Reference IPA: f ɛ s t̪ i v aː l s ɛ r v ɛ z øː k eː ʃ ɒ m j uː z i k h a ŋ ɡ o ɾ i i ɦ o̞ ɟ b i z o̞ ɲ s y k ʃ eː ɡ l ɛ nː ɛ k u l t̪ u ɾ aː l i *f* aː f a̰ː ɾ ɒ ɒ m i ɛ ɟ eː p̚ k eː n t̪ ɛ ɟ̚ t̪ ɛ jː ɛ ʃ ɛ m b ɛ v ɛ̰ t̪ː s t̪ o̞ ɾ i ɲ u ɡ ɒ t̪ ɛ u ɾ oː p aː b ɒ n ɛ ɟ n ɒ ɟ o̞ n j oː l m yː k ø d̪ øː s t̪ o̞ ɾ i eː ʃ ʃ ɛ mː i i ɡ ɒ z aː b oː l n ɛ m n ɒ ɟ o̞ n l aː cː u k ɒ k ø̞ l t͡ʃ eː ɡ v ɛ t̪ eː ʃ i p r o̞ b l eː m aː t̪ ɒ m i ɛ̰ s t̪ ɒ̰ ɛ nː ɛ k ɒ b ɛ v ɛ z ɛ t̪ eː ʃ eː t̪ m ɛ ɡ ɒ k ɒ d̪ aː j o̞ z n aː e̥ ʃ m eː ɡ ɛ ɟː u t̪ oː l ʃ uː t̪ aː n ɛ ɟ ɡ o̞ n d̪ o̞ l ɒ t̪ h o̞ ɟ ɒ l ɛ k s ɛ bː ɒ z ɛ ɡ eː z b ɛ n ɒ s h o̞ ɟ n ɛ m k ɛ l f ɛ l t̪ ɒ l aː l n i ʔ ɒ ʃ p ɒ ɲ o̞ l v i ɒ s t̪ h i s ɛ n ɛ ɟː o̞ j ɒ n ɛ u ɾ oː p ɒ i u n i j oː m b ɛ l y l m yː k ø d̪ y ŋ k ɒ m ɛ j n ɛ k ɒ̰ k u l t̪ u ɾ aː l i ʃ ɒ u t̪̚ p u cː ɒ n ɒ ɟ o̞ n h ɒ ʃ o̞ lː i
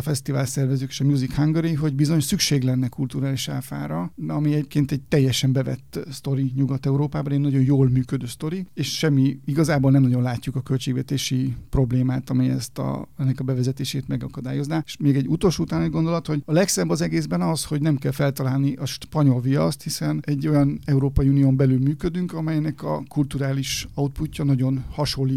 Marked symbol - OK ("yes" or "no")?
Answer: no